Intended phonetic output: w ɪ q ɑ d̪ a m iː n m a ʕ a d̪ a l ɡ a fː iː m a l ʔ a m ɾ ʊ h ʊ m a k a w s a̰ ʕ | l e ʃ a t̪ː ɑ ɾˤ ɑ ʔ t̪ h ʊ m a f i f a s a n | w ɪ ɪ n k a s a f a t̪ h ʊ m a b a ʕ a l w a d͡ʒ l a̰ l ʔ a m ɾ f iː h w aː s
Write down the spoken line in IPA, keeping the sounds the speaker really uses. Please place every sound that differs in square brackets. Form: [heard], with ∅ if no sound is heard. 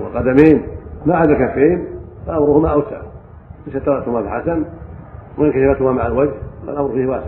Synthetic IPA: w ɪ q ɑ d̪ a m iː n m a ʕ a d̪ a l [k] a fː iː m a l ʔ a m ɾ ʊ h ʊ m a [ʔ] a w s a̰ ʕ | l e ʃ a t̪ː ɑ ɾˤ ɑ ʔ t̪ h ʊ m a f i [ħ] a s a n | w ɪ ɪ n k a [ʃ] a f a t̪ h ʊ m a [m] a ʕ a l w a d͡ʒ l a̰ l ʔ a m ɾ f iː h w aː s